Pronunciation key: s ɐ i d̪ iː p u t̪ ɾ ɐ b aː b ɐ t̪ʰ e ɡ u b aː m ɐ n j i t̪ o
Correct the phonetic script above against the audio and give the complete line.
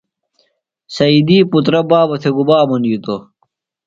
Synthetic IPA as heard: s ɐ i d̪ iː p u t̪ ɾ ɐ b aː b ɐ t̪ʰ e ɡ u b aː m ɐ n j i t̪ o